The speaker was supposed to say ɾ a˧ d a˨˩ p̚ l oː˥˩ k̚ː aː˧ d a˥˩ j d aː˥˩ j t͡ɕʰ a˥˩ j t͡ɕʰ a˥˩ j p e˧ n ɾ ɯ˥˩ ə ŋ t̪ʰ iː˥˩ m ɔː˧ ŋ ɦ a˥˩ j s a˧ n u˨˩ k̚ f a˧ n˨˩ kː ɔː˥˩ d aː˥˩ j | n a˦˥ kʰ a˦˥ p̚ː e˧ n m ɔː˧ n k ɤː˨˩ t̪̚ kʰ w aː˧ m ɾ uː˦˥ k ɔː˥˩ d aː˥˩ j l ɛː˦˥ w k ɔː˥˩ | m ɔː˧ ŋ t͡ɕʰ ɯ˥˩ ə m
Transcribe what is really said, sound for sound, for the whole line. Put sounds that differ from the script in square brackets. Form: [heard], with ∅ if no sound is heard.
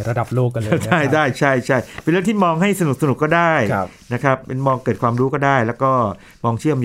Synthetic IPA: ɾ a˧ d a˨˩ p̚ l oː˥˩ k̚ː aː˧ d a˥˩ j d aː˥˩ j t͡ɕʰ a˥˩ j t͡ɕʰ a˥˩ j p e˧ n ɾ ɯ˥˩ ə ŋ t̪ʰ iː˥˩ m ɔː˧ ŋ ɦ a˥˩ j s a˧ n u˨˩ k̚ [s] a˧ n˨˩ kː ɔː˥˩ d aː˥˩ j | n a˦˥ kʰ a˦˥ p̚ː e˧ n m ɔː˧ [ŋ] k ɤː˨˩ t̪̚ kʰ w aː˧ m ɾ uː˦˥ k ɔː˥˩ d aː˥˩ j l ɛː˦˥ w k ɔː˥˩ | m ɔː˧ ŋ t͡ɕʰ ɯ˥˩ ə m